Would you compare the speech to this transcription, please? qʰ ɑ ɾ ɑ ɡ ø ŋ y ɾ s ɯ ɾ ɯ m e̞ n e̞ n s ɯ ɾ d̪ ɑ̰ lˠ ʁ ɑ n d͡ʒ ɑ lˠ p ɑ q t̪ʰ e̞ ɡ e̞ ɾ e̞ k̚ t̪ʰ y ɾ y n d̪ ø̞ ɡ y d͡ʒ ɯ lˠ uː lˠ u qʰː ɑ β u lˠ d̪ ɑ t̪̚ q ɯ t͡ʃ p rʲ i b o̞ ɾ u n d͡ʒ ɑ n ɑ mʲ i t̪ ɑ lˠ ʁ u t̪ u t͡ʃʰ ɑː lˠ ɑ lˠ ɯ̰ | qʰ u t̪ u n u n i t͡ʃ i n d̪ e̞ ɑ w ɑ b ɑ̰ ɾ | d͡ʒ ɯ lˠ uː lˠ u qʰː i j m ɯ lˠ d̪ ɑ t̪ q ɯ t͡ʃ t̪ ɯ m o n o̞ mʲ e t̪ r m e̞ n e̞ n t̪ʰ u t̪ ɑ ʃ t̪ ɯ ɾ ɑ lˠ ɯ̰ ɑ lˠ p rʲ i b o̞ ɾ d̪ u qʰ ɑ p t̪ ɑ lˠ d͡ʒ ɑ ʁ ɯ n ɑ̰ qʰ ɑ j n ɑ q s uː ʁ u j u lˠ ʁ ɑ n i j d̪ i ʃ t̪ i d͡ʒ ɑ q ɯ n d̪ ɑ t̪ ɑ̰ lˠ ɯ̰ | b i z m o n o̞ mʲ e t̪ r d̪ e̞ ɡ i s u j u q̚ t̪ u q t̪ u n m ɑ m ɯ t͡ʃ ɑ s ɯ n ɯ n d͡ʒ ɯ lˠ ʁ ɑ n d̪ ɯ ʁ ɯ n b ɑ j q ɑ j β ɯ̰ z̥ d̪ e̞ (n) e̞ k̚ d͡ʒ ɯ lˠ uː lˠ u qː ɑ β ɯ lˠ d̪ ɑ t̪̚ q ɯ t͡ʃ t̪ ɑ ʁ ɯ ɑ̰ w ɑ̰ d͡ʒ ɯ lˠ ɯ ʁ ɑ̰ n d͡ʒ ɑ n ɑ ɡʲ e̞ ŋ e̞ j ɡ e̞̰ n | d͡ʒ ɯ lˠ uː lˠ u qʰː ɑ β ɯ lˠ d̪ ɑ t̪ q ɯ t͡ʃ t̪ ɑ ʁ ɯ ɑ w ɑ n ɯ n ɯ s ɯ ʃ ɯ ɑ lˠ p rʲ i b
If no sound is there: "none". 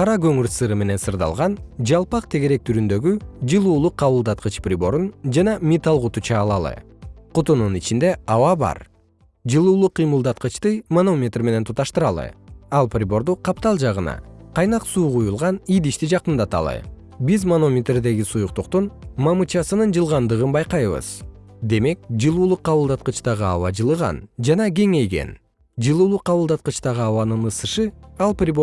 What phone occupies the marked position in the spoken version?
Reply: m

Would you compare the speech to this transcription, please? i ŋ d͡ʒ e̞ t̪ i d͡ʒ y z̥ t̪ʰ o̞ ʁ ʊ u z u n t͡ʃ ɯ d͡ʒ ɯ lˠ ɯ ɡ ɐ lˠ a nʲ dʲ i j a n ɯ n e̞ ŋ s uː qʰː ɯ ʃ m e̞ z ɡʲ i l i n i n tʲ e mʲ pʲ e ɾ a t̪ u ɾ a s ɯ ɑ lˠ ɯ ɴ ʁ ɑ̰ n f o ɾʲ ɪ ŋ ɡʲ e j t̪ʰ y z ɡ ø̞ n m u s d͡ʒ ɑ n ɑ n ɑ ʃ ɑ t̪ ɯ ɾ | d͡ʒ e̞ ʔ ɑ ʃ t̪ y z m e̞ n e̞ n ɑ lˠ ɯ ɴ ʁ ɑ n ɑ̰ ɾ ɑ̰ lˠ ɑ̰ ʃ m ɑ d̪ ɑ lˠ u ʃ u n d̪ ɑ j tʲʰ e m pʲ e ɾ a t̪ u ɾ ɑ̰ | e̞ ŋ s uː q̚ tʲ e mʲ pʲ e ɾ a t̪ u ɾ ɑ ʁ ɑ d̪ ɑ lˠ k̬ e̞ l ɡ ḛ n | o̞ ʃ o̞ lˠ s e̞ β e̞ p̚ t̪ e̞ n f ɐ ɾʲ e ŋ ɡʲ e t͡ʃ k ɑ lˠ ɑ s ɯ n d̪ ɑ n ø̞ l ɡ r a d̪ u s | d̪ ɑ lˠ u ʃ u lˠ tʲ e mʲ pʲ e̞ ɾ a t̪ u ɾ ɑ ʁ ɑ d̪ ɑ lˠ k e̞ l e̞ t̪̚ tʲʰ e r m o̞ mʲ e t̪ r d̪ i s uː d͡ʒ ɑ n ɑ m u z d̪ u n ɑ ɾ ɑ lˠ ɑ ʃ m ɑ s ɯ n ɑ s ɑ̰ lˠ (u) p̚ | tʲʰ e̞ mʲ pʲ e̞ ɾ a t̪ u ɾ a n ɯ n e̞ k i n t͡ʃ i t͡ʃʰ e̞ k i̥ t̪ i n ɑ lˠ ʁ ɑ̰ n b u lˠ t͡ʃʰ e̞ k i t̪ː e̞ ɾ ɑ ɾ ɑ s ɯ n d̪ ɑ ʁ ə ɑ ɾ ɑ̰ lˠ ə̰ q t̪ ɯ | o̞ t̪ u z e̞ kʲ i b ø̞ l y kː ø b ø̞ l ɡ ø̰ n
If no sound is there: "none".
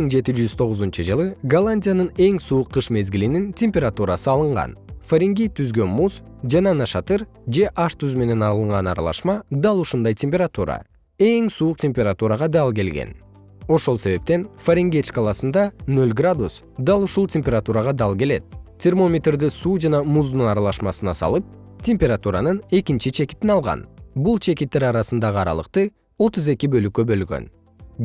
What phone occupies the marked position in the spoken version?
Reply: ɯ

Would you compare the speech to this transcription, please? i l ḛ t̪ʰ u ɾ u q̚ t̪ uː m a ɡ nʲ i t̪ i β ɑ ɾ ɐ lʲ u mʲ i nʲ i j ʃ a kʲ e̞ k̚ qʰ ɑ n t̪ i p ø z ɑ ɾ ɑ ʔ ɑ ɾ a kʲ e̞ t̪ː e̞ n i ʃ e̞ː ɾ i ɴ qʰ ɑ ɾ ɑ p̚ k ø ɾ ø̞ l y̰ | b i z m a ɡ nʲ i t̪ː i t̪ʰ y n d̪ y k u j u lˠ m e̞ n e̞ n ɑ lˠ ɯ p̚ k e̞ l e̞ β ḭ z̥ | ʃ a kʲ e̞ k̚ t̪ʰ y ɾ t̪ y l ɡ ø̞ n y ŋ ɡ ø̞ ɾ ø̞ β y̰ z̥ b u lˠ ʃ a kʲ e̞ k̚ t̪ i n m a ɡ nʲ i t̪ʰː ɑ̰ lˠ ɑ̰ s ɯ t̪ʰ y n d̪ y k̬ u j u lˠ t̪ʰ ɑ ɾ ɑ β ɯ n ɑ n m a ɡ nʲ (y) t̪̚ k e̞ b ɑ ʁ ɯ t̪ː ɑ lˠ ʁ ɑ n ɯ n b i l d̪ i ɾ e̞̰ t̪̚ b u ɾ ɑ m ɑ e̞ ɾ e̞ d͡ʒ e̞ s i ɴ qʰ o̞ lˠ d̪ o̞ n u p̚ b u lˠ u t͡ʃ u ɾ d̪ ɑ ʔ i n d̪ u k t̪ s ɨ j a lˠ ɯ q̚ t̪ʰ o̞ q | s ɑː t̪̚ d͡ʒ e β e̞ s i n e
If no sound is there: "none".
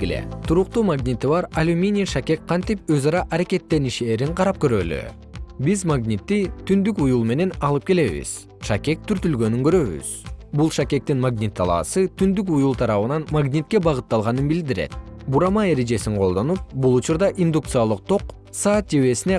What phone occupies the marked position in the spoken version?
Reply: i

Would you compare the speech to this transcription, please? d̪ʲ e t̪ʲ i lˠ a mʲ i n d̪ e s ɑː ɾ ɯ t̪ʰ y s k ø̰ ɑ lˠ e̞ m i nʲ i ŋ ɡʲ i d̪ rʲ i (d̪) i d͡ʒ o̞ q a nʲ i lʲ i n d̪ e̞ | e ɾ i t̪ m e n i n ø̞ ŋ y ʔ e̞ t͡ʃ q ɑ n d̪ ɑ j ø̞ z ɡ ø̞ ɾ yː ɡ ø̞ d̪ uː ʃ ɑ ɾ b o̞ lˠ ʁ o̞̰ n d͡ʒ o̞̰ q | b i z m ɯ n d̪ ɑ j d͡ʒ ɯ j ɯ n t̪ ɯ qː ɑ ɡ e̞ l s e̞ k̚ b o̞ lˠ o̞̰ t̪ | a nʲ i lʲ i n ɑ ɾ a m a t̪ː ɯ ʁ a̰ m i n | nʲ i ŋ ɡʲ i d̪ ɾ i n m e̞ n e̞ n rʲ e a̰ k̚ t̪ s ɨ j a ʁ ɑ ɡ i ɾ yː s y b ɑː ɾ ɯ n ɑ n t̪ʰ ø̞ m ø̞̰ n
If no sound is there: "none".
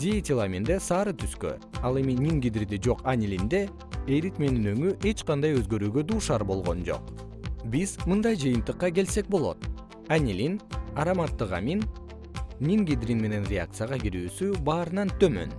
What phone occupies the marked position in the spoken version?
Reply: d̪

